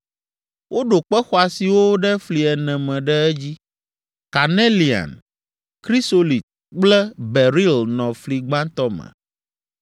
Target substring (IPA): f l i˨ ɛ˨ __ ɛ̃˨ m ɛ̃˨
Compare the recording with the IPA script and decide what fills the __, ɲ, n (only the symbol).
n